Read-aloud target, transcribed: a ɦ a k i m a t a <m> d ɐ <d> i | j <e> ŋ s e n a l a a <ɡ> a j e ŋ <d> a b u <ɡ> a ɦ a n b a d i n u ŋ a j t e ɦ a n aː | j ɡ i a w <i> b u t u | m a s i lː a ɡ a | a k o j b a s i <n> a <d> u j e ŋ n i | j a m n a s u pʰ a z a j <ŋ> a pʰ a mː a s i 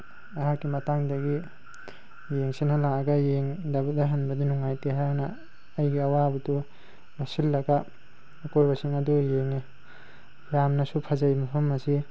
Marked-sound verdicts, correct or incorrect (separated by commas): incorrect, incorrect, correct, correct, correct, incorrect, incorrect, incorrect, correct, incorrect